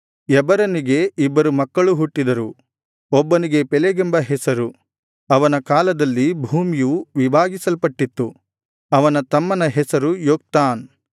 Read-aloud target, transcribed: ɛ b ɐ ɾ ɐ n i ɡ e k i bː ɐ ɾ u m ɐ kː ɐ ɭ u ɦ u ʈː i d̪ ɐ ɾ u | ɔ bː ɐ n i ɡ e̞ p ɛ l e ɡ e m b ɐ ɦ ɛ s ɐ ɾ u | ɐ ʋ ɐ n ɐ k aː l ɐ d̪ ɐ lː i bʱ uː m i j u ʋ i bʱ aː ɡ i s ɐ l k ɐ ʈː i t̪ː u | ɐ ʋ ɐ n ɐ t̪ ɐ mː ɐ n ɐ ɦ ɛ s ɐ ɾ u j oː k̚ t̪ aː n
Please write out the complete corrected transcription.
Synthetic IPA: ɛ b ɐ ɾ ɐ n i ɡ e i bː ɐ ɾ u m ɐ kː ɐ ɭ u ɦ u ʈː i d̪ ɐ ɾ u | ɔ bː ɐ n i ɡ e̞ p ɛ l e ɡ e m b ɐ ɦ ɛ s ɐ ɾ u | ɐ ʋ ɐ n ɐ k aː l ɐ d̪ ɐ lː i bʱ uː m i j u ʋ i bʱ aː ɡ i s ɐ l p ɐ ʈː i t̪ː u | ɐ ʋ ɐ n ɐ t̪ ɐ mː ɐ n ɐ ɦ ɛ s ɐ ɾ u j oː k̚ t̪ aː n